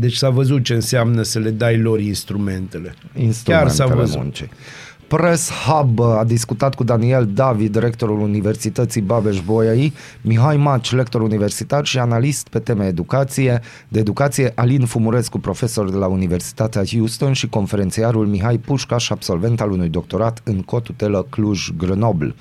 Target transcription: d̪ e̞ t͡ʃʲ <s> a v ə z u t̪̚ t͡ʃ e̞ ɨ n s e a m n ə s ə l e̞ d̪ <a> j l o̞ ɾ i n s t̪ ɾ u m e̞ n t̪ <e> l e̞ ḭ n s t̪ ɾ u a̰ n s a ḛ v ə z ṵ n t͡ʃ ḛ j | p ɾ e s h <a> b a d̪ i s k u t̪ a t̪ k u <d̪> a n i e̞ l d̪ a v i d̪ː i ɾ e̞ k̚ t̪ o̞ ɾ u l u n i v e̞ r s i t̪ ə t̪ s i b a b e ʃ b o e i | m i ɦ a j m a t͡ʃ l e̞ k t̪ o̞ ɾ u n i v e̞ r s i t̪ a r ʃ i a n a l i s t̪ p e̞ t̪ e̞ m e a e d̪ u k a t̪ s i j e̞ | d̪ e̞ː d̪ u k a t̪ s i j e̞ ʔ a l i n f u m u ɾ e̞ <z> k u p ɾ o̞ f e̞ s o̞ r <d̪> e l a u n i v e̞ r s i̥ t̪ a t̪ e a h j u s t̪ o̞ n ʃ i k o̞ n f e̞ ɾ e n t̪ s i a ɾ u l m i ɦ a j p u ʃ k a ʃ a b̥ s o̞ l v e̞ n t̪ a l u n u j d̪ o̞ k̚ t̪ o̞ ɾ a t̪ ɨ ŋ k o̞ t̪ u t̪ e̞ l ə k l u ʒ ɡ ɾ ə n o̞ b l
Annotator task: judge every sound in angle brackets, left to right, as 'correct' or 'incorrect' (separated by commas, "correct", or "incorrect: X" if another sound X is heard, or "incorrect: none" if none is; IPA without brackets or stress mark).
correct, correct, correct, correct, correct, incorrect: s, correct